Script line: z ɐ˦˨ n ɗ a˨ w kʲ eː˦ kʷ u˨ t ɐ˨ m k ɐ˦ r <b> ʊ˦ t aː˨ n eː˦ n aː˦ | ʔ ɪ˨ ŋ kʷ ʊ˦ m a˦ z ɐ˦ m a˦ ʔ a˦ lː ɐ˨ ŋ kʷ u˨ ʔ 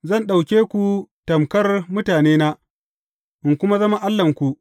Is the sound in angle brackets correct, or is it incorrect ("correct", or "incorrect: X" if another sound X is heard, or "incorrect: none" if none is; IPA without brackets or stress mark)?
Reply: incorrect: m